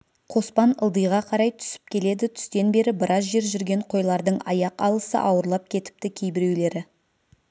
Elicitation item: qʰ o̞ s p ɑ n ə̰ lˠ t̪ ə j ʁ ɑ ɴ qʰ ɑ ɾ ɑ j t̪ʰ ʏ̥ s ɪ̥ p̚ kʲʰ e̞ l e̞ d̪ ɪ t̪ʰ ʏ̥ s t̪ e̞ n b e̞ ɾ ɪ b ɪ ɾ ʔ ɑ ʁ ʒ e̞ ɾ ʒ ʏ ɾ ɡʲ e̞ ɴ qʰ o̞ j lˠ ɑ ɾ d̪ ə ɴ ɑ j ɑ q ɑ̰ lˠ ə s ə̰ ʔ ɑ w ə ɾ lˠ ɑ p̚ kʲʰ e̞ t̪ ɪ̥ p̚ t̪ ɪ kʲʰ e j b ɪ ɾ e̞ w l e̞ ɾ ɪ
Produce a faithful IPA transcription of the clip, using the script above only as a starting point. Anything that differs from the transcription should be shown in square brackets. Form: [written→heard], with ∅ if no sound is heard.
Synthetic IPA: qʰ o̞ s p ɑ n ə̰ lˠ [t̪→d̪] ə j ʁ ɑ [ɴ→∅] qʰ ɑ ɾ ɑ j t̪ʰ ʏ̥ s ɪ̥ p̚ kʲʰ e̞ l e̞ d̪ ɪ t̪ʰ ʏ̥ s t̪ e̞ n b e̞ ɾ ɪ b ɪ ɾ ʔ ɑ [ʁ→z] ʒ e̞ ɾ ʒ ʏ ɾ ɡʲ e̞ ɴ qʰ o̞ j lˠ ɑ ɾ d̪ ə ɴ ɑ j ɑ q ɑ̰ lˠ ə s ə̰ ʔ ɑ w ə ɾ lˠ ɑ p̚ kʲʰ e̞ t̪ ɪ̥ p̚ t̪ ɪ kʲʰ e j b ɪ ɾ e̞ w l e̞ ɾ ɪ